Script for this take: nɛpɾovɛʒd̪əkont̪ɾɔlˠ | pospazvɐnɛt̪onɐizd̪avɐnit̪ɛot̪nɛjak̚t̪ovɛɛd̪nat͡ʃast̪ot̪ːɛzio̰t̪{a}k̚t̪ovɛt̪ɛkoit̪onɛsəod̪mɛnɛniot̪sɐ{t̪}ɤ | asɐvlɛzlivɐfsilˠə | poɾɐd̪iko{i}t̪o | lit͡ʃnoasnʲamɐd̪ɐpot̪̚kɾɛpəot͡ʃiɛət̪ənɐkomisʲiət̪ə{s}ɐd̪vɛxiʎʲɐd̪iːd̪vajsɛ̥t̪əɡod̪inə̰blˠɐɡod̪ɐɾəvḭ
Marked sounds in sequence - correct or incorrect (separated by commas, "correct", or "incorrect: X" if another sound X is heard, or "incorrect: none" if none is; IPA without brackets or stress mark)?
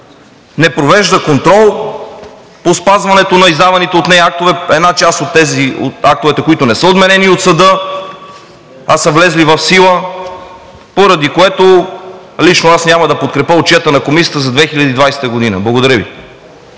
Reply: correct, incorrect: d̪, incorrect: ɛ, incorrect: z